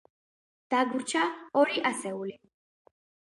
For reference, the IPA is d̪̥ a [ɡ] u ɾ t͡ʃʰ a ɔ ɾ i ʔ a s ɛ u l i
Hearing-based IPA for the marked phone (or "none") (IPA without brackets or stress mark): ɡ